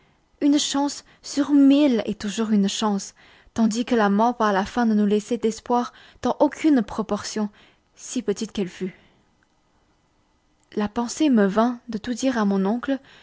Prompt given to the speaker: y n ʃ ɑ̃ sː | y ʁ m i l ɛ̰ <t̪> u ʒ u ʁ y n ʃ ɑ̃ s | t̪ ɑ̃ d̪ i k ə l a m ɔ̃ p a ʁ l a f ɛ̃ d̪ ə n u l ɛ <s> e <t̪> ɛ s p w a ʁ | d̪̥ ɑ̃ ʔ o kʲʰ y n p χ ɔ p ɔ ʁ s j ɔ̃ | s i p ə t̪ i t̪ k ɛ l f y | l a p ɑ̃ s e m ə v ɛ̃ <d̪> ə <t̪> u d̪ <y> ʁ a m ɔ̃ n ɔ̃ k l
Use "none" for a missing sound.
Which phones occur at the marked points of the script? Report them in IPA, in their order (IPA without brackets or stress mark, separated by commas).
t̪, s, d̪, d̪, t̪, i